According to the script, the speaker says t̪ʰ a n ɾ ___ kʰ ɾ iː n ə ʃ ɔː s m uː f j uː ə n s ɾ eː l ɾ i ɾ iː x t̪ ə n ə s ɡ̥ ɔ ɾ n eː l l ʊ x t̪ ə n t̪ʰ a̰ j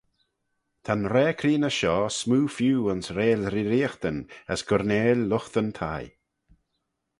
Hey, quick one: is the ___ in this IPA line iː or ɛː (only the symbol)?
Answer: ɛː